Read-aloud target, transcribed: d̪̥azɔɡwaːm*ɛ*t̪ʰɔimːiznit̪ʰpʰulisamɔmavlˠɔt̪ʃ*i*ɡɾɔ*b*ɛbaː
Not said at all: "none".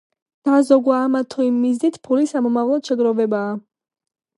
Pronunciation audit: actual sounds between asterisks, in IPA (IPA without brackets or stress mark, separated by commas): a, ɛ, v